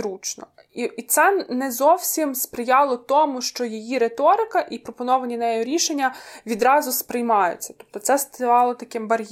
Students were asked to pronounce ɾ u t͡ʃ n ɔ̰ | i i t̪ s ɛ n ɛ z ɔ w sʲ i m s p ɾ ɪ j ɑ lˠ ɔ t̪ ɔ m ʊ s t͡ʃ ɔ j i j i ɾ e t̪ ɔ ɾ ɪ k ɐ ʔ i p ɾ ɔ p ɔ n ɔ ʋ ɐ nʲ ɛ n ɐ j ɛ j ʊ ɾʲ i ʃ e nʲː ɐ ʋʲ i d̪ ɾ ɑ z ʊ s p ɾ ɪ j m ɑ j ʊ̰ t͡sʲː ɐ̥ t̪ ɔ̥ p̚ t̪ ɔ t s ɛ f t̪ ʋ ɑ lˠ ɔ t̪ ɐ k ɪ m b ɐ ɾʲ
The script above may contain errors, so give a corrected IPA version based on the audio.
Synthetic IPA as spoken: ɾ u t͡ʃ n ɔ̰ | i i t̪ s ɛ n ɛ z ɔ w sʲ i m s p ɾ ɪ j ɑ lˠ ɔ t̪ ɔ m ʊ ʃ t͡ʃ ɔ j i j i ɾ e t̪ ɔ ɾ ɪ k ɐ ʔ i p ɾ ɔ p ɔ n ɔ ʋ ɐ nʲ i n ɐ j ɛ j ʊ ɾʲ i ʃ e nʲː ɐ ʋʲ i d̪ ɾ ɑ z ʊ s p ɾ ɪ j m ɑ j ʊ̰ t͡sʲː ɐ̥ t̪ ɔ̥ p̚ t̪ ɔ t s ɛ s t̪ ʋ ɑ lˠ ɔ t̪ ɐ k ɪ m b ɐ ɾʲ